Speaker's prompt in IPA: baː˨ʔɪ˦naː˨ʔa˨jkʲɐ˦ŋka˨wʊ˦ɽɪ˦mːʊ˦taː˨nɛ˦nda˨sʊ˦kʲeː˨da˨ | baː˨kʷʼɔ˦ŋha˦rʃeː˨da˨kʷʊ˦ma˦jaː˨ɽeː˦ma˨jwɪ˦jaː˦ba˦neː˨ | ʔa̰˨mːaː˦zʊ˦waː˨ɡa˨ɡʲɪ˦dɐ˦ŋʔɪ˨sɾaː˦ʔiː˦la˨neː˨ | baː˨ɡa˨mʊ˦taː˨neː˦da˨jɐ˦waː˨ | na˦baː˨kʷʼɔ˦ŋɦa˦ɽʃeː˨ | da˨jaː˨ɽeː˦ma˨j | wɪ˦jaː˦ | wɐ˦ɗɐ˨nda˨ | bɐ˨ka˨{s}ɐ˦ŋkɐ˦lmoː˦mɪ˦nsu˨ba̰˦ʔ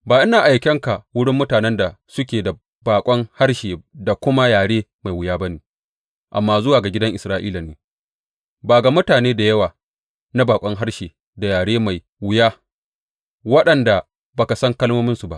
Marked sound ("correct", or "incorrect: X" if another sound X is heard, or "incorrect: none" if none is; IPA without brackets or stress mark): correct